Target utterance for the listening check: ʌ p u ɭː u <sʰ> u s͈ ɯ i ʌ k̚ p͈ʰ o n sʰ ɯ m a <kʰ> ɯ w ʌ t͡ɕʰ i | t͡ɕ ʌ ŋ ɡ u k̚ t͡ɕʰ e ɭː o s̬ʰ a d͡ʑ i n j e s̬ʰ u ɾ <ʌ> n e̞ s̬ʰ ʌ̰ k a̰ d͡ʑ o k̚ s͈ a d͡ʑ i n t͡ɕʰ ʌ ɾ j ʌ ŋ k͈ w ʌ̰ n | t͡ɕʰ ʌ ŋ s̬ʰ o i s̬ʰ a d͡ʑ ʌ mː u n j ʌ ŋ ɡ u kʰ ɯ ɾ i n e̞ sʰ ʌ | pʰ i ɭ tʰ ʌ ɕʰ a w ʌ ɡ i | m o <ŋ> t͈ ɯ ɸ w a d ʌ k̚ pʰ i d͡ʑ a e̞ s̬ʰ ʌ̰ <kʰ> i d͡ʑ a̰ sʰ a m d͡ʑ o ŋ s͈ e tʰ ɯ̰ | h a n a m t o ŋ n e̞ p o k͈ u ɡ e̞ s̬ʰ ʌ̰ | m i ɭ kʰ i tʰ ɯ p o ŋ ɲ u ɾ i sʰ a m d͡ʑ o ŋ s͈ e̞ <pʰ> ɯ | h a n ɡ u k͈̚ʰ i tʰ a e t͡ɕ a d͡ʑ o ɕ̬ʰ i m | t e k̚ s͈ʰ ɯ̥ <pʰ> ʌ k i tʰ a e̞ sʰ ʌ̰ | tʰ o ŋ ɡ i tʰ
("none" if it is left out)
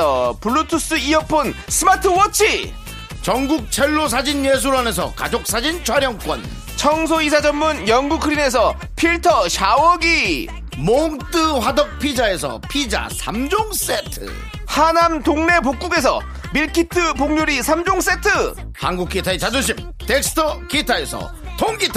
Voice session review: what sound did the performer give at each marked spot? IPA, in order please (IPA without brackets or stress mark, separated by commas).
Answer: tʰ, tʰ, a, ŋ, pʰ, tʰ, tʰ